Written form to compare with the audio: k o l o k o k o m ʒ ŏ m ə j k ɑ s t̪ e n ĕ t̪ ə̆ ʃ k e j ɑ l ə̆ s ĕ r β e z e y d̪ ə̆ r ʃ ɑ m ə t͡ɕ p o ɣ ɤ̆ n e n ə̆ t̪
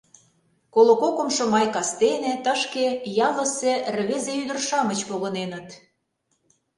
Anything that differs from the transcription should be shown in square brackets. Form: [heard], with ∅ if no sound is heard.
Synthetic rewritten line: k o l o k o k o m [ʃ] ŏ m [ɑ] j k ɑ s t̪ e n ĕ t̪ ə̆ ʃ k e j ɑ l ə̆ s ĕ r β e z e y d̪ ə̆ r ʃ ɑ m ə t͡ɕ p o ɣ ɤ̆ n e n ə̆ t̪